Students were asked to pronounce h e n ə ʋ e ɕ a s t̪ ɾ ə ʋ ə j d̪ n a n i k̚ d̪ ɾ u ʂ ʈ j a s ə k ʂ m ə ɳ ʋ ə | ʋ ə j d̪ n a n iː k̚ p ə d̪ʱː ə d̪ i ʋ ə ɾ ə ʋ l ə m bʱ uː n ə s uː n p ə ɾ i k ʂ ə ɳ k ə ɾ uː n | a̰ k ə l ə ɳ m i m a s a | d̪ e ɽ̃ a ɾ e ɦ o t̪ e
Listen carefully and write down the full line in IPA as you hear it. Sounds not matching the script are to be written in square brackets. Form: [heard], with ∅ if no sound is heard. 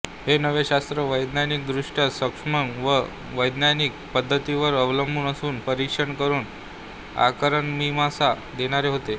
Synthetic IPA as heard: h e n ə ʋ e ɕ a s t̪ ɾ ə ʋ ə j d̪ n a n i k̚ d̪ ɾ u ʂ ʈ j a s ə k ʂ m ə [ŋ] ʋ ə | ʋ ə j d̪ n a n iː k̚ p ə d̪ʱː ə [t̪] i ʋ ə ɾ ə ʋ l ə m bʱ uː n ə s uː n p ə ɾ i k ʂ ə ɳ k ə ɾ uː n | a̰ k ə [ɾ] ə ɳ m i m a s a | d̪ e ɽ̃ a ɾ e ɦ o t̪ e